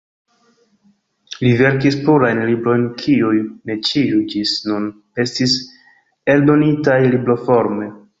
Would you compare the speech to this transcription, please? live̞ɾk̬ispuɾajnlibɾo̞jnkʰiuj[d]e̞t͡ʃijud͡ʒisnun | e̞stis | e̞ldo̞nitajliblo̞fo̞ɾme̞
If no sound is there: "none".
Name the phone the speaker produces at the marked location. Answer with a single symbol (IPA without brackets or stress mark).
n